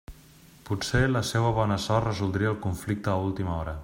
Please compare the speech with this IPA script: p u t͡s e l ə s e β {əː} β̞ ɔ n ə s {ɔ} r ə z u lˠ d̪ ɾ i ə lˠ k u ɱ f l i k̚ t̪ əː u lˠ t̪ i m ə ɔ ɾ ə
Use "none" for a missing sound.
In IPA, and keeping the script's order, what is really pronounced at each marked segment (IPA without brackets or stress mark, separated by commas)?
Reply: ə, ɔ